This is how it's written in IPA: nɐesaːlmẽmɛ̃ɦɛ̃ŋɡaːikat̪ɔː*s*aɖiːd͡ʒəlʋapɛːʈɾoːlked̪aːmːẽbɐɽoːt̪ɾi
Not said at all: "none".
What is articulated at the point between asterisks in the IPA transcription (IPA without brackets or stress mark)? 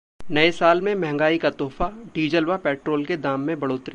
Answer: f